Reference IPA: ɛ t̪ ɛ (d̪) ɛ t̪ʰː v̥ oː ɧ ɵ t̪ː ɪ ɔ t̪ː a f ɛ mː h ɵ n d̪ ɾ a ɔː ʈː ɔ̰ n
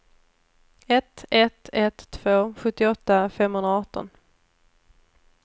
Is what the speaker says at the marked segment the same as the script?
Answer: no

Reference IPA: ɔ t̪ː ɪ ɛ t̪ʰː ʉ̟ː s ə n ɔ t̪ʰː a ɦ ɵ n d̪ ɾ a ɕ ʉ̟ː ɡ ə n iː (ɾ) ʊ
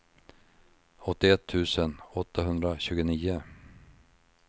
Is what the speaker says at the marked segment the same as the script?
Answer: no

